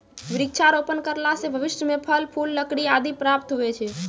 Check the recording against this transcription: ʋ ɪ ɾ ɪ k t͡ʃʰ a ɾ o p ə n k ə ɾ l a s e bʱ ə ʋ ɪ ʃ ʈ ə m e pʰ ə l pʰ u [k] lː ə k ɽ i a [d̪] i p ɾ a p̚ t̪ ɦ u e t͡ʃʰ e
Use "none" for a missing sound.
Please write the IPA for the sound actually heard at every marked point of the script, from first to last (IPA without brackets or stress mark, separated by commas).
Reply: none, d̪